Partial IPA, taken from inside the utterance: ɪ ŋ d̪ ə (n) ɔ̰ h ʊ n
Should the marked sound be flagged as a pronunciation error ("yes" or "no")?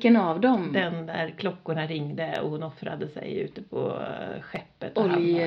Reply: yes